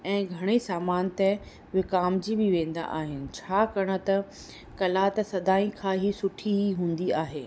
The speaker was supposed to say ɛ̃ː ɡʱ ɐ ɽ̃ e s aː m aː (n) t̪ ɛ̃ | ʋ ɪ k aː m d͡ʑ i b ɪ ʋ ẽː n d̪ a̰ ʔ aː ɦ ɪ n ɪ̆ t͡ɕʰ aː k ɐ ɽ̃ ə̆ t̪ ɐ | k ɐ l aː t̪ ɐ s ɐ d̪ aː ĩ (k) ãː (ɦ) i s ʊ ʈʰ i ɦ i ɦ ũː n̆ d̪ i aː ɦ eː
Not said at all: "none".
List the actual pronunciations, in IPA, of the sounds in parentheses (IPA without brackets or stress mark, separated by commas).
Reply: n, kʰ, ɦ